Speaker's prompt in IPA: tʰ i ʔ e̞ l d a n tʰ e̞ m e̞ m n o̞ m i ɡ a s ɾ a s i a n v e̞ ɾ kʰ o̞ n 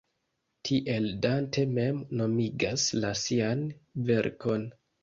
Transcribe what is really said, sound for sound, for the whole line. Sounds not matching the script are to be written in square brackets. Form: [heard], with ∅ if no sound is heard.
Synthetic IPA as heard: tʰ i ʔ e̞ l d a n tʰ e̞ m e̞ m n o̞ m i ɡ a s [l] a s i a n v e̞ ɾ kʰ o̞ n